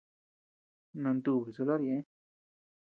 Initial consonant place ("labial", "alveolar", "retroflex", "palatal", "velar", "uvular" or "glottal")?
alveolar